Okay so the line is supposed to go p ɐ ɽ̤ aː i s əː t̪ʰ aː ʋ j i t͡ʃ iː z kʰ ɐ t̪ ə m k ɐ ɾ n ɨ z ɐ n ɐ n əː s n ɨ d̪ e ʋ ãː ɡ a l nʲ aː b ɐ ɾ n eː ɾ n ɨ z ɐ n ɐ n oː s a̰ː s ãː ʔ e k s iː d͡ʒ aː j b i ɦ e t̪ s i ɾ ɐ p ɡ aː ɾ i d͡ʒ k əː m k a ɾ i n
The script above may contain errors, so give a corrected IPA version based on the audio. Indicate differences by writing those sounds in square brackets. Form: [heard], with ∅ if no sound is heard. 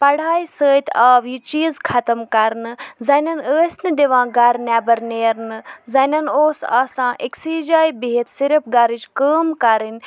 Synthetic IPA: p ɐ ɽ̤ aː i s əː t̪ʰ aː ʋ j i t͡ʃ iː z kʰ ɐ t̪ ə m k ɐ ɾ n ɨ z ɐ n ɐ n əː s n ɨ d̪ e ʋ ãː ɡ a [ɾ] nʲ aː b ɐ ɾ n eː ɾ n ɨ z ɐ n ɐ n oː s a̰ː s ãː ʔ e k s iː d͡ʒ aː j b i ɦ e t̪ s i ɾ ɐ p ɡ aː ɾ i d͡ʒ k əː m k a ɾ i n